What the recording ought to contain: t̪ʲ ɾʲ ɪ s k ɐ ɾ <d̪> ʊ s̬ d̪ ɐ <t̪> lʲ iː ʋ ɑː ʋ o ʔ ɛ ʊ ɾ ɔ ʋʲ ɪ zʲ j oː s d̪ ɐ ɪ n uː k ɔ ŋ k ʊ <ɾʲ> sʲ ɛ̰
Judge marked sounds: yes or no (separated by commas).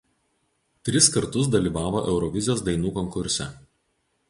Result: no, no, yes